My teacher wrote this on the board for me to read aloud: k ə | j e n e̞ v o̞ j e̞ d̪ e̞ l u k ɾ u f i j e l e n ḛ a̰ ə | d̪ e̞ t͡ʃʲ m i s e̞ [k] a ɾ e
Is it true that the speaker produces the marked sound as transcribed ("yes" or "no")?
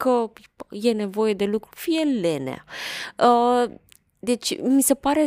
no